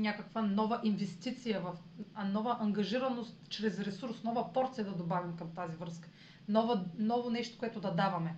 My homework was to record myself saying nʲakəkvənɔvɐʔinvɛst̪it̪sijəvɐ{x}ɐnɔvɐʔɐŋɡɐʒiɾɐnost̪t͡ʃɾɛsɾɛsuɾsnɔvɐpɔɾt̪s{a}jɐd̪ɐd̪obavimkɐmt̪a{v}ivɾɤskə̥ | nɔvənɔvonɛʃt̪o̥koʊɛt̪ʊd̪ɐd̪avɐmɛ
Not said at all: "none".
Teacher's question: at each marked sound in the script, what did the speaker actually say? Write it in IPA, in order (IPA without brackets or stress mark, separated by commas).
f, i, z